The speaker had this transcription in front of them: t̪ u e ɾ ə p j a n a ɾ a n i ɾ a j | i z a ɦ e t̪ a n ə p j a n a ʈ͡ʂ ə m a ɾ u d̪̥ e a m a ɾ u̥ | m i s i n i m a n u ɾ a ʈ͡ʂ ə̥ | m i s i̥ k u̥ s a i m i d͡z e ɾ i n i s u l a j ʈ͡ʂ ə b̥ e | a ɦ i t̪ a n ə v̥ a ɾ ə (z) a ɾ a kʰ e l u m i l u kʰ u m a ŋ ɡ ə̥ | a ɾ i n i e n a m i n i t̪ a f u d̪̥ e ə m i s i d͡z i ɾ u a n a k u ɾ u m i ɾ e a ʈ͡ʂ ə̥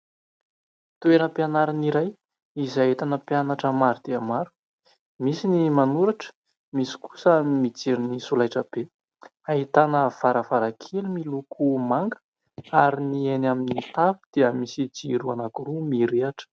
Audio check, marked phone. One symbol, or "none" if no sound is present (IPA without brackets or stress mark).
v